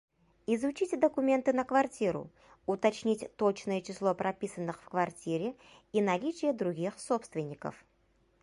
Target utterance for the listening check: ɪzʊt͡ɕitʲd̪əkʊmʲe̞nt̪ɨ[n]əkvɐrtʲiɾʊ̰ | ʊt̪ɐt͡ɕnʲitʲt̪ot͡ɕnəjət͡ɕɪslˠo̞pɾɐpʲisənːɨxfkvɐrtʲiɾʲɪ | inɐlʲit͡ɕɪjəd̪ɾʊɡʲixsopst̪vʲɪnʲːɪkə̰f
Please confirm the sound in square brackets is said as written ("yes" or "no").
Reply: yes